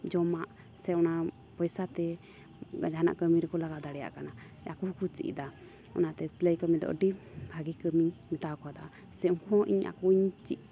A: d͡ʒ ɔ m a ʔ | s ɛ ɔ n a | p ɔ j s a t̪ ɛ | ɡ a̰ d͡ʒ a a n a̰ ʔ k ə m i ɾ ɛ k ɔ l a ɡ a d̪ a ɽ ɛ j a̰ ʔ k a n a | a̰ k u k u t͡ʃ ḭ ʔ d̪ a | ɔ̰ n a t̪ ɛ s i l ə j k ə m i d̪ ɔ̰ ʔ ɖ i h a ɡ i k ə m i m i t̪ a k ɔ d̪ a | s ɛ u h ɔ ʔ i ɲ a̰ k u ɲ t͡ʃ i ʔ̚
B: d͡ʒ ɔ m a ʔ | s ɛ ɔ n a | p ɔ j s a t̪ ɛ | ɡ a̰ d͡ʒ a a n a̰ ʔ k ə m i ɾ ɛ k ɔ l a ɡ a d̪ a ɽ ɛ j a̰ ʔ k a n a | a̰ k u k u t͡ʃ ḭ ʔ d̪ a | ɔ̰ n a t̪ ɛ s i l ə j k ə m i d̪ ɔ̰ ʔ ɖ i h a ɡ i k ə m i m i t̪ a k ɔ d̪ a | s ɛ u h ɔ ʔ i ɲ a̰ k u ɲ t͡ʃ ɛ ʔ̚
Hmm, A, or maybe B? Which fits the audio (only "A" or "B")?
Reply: A